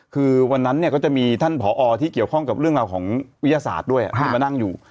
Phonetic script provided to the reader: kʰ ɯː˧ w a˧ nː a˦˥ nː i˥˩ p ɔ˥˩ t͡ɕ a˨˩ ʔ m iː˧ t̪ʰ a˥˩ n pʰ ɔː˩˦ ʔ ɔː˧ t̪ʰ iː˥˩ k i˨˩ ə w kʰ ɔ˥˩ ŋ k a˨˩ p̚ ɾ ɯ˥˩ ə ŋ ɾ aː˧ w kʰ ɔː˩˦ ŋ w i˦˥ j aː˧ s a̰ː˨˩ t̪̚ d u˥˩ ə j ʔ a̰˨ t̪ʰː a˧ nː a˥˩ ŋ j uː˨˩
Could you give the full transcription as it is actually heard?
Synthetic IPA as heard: kʰ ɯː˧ w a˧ nː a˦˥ nː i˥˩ k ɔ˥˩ t͡ɕ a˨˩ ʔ m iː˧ t̪ʰ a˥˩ n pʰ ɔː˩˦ ʔ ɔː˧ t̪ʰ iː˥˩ k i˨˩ ə w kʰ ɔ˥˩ ŋ k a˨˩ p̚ ɾ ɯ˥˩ ə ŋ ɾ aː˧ w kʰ ɔː˩˦ ŋ w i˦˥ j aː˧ s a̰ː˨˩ t̪̚ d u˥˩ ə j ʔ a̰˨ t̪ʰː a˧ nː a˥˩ ŋ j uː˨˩